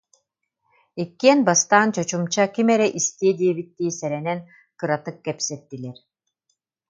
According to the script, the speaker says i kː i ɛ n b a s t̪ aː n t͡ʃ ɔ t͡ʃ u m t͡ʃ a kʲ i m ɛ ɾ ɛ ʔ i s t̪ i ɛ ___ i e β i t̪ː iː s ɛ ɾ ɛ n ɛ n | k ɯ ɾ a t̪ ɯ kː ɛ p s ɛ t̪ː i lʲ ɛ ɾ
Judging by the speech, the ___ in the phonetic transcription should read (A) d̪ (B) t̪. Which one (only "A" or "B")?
A